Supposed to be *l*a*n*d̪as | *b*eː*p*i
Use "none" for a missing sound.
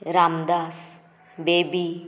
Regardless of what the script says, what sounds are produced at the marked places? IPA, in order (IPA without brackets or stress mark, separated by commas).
ɾ, m, b, b